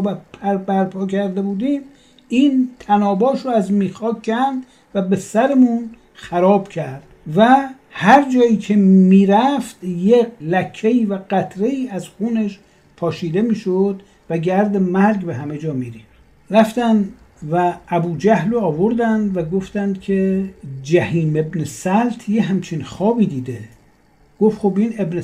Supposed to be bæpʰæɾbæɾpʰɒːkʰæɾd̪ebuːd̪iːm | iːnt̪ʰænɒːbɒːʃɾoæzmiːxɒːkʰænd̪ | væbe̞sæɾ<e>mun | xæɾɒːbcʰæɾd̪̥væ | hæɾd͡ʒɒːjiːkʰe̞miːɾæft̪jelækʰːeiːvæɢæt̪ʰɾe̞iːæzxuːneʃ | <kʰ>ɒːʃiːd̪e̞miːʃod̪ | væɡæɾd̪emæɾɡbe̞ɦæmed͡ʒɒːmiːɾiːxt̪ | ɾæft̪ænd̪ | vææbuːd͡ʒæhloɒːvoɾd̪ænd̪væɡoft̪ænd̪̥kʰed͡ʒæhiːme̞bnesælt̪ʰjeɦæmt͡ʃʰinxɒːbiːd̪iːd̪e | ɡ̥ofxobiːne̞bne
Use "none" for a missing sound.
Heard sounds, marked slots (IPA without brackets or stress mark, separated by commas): e, pʰ